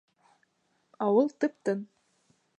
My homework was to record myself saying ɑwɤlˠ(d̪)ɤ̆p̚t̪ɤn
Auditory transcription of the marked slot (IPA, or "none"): t̪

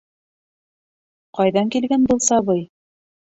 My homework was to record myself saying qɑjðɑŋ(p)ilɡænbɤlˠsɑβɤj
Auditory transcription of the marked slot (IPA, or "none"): k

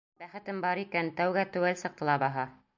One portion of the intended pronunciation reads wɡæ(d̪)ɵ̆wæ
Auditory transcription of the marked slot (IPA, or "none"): t̪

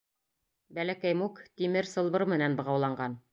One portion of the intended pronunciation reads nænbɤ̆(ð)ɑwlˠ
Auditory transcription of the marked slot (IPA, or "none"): ʁ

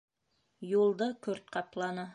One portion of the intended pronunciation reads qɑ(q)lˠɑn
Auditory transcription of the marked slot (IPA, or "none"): p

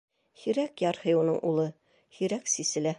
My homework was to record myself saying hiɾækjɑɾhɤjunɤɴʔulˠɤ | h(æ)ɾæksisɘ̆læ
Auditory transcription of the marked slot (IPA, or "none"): i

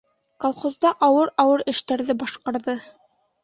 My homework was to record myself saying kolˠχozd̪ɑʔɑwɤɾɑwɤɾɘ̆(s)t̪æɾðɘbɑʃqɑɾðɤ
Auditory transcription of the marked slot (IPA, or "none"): ʃ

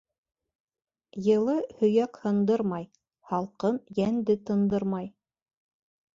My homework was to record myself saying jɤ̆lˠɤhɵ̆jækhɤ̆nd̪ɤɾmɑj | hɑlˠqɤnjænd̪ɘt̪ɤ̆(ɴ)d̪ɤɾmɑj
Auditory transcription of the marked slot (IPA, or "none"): n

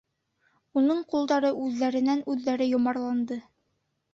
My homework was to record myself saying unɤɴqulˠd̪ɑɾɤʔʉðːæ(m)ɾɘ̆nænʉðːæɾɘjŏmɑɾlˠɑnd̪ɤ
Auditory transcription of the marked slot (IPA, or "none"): none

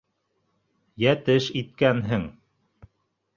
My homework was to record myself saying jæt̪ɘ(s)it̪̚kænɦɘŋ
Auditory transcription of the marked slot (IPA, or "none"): ʃ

